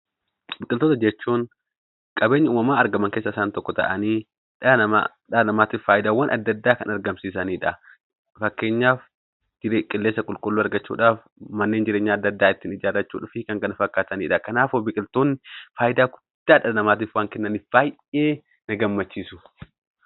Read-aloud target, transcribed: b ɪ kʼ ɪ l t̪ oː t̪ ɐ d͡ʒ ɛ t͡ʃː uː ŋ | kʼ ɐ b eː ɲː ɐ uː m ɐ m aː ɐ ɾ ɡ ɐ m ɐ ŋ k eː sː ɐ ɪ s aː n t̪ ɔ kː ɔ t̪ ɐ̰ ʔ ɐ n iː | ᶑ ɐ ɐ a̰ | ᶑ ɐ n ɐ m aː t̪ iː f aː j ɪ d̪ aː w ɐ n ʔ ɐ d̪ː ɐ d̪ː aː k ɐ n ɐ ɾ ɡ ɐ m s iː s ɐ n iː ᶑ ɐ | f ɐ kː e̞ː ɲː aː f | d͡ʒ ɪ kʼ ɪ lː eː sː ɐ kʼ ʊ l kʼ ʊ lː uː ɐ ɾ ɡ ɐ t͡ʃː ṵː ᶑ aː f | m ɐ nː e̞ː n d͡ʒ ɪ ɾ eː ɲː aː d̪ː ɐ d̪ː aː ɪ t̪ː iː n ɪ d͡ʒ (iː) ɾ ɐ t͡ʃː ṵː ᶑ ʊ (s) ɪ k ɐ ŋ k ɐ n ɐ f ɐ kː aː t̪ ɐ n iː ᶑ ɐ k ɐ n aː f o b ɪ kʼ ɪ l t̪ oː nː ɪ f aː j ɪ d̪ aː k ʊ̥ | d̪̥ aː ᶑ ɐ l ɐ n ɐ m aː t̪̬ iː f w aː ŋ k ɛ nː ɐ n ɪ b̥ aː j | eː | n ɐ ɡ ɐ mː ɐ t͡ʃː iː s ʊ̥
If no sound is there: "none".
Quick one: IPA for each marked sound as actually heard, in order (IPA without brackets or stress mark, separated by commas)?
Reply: aː, f